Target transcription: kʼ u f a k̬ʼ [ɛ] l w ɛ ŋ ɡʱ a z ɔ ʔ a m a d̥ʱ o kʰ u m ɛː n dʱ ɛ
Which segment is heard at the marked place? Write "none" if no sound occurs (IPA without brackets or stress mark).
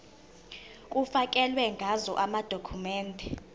ɛ